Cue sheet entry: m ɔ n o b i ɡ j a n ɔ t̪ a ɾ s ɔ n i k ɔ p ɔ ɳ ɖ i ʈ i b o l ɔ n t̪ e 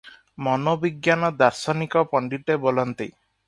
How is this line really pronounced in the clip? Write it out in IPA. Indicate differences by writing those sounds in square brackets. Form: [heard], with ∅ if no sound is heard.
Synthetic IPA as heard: m ɔ n o b i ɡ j a n ɔ [d̪] a ɾ s ɔ n i k ɔ p ɔ ɳ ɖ i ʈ [e] b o l ɔ n t̪ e